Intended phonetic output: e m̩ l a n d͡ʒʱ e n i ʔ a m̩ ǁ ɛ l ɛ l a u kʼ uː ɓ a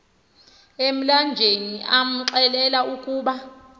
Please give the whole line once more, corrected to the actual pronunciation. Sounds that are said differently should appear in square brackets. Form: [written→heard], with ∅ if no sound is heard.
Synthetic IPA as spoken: e m̩ l a n d͡ʒʱ e n i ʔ a m̩ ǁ ɛ l ɛ l a u kʼ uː ɓ a